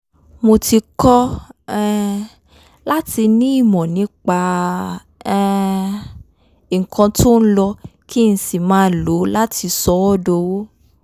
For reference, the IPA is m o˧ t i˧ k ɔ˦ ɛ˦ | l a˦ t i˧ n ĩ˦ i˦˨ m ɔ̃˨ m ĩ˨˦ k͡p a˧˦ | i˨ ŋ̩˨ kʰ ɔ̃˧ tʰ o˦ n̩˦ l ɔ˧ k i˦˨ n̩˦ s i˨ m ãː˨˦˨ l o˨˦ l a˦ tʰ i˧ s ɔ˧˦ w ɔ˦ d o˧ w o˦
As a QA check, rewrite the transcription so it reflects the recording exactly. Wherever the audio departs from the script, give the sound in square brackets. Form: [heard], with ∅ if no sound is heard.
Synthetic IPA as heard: m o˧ t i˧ k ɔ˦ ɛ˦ | l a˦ t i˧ n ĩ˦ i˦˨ m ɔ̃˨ [n] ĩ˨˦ k͡p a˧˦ | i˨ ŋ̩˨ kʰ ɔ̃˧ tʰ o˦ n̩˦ l ɔ˧ k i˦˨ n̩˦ s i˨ m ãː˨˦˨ l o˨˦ l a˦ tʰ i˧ s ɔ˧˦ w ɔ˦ d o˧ w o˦